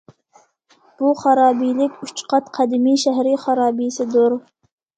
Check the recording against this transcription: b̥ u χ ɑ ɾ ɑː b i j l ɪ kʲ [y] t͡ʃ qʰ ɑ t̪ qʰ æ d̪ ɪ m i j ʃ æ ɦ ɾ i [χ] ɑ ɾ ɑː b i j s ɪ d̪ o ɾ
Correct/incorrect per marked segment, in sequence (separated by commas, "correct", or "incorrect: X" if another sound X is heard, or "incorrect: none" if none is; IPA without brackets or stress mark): correct, correct